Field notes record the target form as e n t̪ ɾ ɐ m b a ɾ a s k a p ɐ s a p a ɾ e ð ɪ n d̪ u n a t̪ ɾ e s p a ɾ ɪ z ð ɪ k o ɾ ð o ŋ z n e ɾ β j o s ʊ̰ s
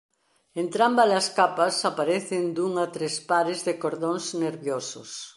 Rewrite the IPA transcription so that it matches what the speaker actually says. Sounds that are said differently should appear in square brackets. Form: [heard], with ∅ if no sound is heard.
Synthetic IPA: e n t̪ ɾ [a] m b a [l] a s k a p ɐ s a p a ɾ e [θ] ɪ n d̪ u [ŋ] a t̪ ɾ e s p a ɾ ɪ z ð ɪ k o ɾ ð o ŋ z n e ɾ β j o s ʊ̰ s